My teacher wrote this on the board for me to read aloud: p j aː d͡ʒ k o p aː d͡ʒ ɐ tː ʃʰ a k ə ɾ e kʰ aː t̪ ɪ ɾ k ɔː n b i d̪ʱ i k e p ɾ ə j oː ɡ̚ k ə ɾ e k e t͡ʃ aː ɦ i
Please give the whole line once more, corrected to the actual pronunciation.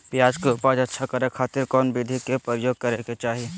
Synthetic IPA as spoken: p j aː d͡ʒ k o p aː d͡ʒ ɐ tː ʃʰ a k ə ɾ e kʰ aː t̪ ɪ ɾ k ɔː n b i d̪ʱ i k e p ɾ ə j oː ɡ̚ k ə ɾ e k e t͡ʃ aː ɦ i